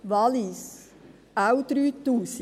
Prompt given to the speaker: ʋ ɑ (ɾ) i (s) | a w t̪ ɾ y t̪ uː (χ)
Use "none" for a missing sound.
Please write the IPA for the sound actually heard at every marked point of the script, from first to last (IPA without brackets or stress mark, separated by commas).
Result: l, s, s